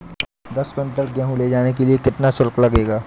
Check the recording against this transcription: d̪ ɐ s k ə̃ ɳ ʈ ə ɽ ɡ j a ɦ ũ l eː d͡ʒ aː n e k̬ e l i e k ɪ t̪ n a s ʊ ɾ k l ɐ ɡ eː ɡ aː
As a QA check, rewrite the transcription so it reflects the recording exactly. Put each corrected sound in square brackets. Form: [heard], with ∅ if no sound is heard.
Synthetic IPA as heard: d̪ ɐ s k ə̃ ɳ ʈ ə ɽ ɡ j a ɦ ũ l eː d͡ʒ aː n e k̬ e l i e k ɪ t̪ n a s ʊ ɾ k l ɐ ɡ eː ɡ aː